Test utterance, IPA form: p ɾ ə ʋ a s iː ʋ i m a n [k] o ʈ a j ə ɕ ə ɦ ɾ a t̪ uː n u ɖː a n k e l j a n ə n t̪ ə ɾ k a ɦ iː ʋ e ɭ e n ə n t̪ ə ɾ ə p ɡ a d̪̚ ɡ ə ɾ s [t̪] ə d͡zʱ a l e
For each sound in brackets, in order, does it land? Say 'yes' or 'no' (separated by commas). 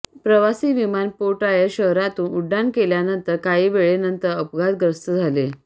no, yes